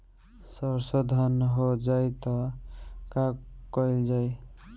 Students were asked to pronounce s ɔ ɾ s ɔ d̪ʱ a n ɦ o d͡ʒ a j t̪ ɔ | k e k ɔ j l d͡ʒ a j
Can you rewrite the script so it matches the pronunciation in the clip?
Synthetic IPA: s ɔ ɾ s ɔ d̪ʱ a n ɦ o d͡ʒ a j t̪ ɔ | k a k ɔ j l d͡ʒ a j